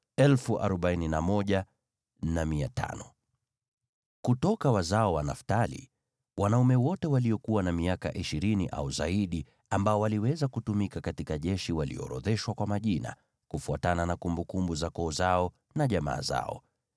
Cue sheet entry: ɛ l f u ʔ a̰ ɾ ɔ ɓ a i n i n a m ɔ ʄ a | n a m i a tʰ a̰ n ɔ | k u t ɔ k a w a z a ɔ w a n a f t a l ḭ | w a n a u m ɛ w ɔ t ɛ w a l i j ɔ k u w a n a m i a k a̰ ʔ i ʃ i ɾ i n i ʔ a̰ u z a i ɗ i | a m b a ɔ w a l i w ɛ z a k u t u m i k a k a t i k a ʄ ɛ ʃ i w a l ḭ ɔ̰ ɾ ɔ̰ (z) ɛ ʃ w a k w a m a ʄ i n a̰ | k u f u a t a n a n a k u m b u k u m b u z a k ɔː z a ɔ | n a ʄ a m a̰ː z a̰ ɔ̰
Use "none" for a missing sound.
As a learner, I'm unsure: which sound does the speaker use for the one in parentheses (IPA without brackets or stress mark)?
ð